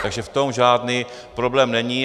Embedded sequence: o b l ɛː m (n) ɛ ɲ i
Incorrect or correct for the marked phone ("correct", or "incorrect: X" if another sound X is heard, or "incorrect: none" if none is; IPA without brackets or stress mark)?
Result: correct